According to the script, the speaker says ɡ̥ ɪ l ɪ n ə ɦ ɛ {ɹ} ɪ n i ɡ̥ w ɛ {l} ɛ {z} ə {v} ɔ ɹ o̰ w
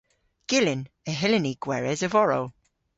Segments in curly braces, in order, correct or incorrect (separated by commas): incorrect, incorrect, correct, correct